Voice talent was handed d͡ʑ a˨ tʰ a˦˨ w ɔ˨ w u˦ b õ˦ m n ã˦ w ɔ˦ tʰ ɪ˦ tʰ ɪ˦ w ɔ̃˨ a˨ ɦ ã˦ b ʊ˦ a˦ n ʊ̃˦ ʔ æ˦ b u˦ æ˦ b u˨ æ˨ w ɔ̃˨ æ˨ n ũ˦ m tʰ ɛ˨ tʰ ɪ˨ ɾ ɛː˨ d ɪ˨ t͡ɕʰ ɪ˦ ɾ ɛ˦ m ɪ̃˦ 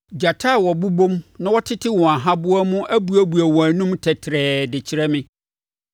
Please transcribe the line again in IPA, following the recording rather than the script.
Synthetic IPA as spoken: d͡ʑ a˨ tʰ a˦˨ w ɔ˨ b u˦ b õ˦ m n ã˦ w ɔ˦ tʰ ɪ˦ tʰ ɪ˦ w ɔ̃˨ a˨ ɦ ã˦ b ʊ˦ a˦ m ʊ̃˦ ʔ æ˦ b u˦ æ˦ b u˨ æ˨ w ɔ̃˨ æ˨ n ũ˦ m tʰ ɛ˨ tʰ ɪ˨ ɾ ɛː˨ d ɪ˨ t͡ɕʰ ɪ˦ ɾ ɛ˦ m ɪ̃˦

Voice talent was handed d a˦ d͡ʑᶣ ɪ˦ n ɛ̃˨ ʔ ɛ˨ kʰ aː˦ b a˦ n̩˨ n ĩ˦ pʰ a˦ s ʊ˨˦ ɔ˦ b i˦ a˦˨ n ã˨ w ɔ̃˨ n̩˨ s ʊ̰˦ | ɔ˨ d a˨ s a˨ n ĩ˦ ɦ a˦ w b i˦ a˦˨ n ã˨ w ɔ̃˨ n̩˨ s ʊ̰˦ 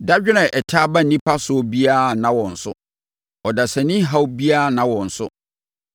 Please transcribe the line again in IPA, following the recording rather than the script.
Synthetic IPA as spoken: d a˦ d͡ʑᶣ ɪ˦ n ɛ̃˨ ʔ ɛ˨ tʰ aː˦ b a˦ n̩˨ n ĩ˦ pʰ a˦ s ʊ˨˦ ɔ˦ b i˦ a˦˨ n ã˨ w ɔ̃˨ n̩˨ s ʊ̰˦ | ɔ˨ d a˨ s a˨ n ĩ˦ ɦ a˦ w b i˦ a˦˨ n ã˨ w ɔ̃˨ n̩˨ s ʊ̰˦

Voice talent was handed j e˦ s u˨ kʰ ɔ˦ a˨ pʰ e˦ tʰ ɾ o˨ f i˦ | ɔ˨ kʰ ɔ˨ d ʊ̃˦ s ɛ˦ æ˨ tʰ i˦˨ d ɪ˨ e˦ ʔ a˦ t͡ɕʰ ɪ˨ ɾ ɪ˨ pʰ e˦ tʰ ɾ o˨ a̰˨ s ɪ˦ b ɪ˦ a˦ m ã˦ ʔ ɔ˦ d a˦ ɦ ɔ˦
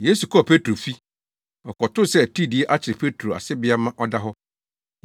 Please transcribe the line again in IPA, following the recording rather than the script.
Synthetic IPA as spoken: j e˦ s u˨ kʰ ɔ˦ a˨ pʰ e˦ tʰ ɾ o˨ f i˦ | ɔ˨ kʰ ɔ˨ t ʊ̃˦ s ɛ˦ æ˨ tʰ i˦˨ d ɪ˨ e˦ ʔ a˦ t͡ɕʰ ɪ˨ ɾ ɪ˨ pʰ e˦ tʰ ɾ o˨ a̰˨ s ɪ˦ b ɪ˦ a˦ m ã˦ ʔ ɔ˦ d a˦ ɦ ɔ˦

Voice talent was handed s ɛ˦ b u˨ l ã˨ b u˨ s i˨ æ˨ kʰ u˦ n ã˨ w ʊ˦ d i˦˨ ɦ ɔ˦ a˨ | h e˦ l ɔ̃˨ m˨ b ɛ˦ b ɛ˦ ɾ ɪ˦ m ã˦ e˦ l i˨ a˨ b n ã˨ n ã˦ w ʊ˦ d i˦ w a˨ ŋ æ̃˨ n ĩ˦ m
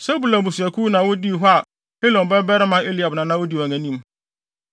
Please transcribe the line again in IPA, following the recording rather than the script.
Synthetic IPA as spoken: s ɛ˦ b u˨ l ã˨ b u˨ s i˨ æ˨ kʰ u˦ n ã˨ w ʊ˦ d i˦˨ ɦ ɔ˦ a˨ | h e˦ l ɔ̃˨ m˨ b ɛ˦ b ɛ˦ ɾ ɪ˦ m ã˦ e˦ l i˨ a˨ b n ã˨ n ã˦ w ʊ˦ d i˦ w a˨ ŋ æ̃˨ n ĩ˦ m

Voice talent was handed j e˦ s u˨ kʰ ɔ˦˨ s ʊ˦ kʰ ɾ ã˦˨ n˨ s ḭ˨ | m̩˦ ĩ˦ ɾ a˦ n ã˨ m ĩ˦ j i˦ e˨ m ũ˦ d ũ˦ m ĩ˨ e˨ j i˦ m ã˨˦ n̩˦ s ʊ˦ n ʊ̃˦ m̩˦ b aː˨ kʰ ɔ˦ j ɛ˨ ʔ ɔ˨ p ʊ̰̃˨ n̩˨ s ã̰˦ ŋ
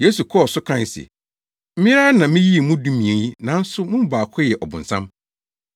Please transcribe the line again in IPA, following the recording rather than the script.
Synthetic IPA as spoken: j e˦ s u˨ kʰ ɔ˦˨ s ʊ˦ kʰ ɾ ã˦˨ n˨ s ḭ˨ | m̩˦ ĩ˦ ɾ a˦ n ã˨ m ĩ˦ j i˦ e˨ m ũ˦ d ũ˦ m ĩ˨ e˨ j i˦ n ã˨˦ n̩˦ s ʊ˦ m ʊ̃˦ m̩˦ b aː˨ kʰ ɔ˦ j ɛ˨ ʔ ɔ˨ b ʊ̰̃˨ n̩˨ s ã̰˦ m

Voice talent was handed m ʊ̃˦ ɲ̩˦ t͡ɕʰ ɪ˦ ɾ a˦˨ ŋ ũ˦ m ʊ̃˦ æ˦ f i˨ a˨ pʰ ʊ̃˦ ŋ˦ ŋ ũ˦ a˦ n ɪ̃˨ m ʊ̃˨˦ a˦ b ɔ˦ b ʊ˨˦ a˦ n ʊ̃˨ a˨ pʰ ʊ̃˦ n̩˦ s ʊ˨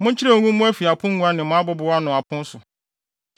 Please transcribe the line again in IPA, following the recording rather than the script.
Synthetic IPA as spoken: m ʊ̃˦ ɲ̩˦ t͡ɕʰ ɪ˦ ɾ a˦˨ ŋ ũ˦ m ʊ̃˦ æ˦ f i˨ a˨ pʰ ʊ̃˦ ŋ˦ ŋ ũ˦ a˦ n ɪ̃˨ m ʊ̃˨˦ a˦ b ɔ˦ b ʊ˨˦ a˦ n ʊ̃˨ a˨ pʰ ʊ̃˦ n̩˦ s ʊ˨

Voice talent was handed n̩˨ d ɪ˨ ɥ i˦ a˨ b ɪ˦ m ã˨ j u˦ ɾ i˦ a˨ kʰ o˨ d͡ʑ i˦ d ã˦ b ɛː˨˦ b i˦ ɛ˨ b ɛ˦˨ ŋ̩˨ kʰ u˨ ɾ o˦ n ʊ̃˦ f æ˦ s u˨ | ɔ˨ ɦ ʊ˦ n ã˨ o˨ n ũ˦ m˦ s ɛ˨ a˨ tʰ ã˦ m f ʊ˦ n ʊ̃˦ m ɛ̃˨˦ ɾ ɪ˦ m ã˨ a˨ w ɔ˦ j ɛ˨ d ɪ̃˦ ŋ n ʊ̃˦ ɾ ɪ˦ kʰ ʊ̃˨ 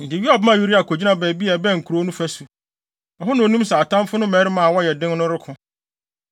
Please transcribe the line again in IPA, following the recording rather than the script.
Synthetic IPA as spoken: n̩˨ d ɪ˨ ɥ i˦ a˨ b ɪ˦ m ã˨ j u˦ ɾ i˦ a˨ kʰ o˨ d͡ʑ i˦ n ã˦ b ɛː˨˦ b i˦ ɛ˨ b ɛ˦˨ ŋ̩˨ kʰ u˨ ɾ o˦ n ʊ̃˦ f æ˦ s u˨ | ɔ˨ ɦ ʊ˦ n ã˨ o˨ n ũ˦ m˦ s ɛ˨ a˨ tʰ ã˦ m f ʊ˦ n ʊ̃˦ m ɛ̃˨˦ ɾ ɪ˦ m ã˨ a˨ w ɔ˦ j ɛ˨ d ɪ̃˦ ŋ n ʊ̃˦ ɾ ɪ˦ kʰ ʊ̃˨

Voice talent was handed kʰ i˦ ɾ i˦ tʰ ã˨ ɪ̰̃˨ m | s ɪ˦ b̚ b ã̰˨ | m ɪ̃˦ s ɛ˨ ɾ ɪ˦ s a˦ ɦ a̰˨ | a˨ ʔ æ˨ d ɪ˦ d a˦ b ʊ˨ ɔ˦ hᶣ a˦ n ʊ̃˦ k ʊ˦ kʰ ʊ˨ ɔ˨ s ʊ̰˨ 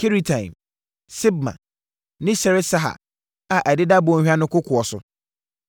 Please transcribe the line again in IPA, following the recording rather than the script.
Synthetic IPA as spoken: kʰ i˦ ɾ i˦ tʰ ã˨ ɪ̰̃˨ m | s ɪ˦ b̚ m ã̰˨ | n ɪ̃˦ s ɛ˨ ɾ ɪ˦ s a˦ ɦ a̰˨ | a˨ ʔ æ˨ d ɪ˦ d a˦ b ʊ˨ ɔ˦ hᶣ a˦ n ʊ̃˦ k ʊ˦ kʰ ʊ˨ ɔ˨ s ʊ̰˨

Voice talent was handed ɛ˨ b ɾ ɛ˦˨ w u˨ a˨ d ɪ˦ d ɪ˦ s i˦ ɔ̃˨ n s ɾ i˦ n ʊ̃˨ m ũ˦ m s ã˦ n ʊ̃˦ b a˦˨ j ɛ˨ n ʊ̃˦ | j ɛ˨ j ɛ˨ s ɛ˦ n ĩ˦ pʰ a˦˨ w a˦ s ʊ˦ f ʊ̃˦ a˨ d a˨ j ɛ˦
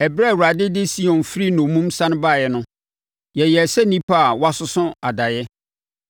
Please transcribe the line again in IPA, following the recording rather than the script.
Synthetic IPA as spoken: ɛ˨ b ɾ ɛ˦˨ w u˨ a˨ d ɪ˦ d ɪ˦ s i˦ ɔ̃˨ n f ɾ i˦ n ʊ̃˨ m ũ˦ m s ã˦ n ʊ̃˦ b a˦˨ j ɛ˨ n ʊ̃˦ | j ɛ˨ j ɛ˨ s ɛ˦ n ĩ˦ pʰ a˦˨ w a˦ s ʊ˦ s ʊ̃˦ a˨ d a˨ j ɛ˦

